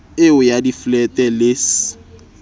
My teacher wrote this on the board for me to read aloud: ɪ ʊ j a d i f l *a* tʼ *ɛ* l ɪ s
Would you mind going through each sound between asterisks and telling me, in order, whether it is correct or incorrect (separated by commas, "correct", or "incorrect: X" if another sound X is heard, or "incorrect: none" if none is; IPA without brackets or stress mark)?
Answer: incorrect: ɛ, correct